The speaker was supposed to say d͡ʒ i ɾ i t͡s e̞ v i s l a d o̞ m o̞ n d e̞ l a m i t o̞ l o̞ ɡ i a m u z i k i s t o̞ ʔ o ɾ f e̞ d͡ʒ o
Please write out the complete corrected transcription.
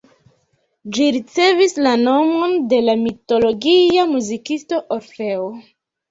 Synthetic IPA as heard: d͡ʒ i ɾ i t͡s e̞ v i s l a n o̞ m o̞ n d e̞ l a m i t o̞ l o̞ ɡ i a m u z i k i s t o̞ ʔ o ɾ f e̞ o